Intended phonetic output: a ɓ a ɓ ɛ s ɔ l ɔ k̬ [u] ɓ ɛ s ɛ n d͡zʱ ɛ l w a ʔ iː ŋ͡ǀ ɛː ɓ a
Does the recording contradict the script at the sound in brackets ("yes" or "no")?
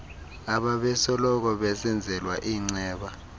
yes